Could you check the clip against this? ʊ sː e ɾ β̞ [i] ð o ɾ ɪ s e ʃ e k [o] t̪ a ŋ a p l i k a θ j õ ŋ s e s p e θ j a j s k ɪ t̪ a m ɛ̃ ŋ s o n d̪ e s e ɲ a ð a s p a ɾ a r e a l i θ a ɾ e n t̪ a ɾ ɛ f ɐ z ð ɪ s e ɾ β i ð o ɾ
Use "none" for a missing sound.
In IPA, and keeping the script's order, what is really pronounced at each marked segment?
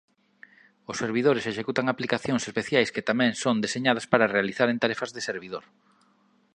i, u

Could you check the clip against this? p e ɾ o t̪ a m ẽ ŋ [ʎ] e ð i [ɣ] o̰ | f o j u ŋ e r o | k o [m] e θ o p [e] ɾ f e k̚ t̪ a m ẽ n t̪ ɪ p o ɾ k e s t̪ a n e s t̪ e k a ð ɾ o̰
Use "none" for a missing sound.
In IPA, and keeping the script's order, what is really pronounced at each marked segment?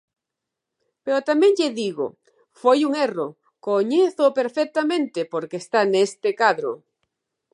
ʎ, ɣ, ɲ, e

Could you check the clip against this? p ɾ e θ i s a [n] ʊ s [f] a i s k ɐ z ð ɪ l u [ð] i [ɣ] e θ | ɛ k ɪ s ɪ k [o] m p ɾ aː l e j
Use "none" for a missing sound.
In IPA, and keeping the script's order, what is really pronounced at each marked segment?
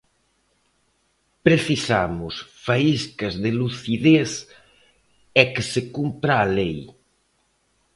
m, f, θ, ð, u

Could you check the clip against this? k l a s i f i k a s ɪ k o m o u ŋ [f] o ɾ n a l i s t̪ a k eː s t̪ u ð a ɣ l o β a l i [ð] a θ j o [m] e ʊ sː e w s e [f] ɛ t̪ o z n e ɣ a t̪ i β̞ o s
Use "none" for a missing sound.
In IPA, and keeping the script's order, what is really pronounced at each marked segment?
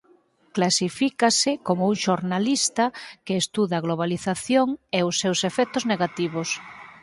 ʃ, θ, ŋ, f

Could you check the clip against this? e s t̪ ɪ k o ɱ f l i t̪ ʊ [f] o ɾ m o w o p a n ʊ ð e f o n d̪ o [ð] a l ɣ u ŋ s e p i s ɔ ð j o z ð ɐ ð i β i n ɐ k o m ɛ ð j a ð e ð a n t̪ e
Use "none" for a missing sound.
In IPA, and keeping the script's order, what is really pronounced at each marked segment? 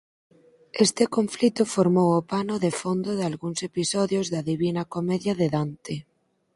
f, ð

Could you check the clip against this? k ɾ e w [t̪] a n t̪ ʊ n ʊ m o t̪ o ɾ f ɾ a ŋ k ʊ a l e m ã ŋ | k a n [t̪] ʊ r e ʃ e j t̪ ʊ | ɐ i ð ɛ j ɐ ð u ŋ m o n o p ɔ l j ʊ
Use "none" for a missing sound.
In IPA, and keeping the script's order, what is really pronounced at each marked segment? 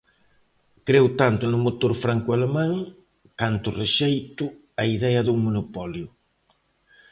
t̪, t̪

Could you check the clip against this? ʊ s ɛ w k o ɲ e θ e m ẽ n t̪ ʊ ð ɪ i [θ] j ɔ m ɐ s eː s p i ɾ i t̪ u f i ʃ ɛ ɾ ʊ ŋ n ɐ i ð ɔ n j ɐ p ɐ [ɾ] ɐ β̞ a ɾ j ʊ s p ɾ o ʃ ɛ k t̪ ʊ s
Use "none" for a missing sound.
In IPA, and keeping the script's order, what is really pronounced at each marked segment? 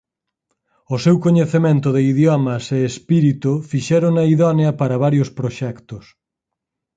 ð, ɾ

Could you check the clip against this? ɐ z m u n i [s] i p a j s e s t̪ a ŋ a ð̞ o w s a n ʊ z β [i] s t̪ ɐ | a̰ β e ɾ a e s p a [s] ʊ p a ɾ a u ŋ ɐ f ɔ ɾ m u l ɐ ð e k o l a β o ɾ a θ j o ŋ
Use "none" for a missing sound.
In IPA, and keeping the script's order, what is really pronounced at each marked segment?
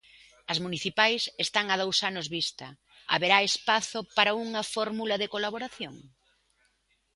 θ, i, θ

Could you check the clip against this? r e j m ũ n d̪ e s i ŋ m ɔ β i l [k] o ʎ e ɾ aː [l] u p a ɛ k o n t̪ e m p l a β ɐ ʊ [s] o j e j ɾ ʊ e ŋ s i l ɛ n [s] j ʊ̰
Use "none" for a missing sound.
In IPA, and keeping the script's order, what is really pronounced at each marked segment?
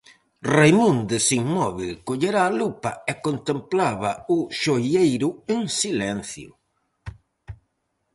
k, l, ʃ, θ

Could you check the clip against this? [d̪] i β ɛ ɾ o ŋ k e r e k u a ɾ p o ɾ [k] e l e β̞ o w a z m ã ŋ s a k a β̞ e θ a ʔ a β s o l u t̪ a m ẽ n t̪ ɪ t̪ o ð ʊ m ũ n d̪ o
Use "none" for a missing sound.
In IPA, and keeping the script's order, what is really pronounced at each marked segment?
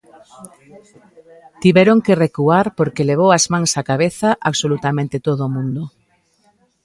t̪, k

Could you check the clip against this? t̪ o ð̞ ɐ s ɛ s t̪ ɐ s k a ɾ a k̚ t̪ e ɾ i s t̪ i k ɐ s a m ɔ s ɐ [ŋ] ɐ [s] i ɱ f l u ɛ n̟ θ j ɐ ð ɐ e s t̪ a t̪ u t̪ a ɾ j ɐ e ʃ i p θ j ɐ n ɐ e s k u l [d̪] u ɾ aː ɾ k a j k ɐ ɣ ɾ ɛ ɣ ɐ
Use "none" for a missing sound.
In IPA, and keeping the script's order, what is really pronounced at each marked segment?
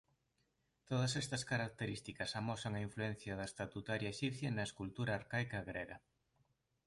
ŋ, none, t̪

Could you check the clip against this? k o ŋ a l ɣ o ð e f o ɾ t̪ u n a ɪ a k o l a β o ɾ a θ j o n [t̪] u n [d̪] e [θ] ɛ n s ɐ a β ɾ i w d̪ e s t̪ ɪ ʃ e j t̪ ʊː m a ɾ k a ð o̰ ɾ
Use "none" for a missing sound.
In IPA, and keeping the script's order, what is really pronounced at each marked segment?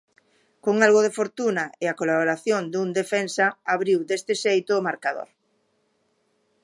d̪, d̪, f

